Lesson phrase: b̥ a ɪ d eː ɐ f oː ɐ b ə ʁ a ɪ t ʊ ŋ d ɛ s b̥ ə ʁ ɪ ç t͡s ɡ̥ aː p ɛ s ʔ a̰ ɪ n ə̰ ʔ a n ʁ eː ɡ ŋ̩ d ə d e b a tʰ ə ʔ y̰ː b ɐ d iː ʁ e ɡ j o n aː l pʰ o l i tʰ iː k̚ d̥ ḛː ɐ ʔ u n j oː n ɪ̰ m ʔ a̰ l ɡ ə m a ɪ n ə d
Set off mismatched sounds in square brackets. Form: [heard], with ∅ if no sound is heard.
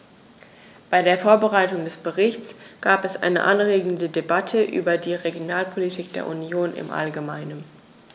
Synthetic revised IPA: b̥ a ɪ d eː ɐ f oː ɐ b ə ʁ a ɪ t ʊ ŋ d ɛ s b̥ ə ʁ ɪ ç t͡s ɡ̥ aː p ɛ s ʔ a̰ ɪ n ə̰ ʔ a n ʁ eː ɡ ŋ̩ d ə d e b a tʰ ə ʔ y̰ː b ɐ d iː ʁ e ɡ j o n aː l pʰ o l i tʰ iː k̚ d̥ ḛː ɐ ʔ u n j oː n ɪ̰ m ʔ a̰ l ɡ ə m a ɪ n ə [n]